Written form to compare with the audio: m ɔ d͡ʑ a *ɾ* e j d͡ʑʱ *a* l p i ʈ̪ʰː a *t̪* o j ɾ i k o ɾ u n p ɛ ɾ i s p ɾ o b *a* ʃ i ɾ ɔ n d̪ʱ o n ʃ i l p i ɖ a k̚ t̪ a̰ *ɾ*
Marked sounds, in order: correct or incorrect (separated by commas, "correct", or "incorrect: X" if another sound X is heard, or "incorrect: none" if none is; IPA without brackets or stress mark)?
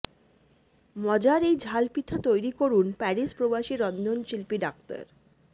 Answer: correct, correct, correct, correct, correct